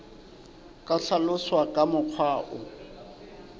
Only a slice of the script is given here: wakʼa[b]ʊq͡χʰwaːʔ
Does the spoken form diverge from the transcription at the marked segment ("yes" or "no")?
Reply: yes